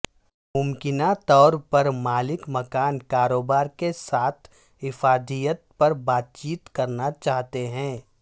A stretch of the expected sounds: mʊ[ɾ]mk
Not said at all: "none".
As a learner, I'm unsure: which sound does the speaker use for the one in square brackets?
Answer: none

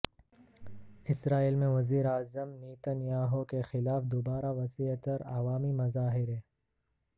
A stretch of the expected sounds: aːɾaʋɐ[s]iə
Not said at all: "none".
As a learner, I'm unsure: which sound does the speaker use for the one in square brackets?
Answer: s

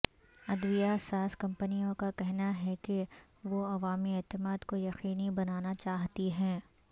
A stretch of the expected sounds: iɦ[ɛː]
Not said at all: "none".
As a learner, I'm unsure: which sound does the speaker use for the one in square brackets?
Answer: ɛ̃ː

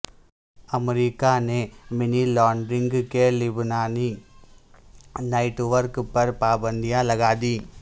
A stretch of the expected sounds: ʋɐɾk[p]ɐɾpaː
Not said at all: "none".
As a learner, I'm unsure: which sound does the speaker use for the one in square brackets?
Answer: p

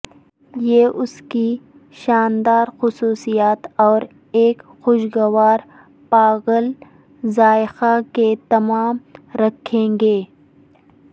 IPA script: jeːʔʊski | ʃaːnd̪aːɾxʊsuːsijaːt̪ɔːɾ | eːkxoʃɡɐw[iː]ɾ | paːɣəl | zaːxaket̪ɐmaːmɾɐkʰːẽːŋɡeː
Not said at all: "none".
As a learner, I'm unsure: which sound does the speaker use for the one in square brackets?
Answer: aː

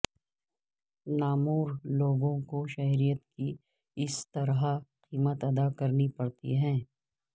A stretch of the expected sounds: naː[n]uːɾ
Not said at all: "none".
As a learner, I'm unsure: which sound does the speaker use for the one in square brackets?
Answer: m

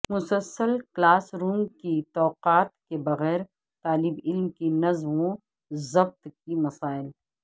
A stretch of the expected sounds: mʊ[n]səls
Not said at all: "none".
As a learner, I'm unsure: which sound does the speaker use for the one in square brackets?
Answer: none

